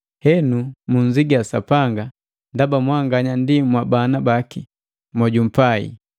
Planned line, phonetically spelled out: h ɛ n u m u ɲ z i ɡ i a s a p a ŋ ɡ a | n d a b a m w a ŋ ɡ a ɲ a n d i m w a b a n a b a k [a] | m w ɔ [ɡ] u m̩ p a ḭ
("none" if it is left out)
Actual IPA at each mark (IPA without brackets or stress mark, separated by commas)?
i, ɟ